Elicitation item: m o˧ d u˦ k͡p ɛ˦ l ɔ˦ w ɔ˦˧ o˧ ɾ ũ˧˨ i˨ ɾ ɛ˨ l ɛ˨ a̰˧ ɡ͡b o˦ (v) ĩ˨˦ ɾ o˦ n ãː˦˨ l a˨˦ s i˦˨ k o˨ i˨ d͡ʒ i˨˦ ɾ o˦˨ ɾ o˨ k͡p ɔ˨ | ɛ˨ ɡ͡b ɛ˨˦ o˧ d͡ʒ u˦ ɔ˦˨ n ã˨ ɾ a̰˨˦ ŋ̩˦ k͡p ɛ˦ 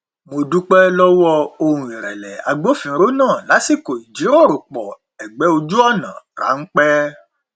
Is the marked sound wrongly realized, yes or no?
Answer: yes